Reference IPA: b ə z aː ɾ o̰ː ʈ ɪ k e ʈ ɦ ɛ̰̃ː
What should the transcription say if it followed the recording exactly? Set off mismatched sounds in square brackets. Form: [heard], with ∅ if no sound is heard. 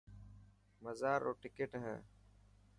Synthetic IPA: [m] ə z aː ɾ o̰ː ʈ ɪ k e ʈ ɦ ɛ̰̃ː